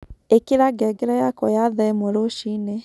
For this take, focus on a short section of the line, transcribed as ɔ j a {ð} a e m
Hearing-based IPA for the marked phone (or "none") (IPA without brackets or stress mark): ð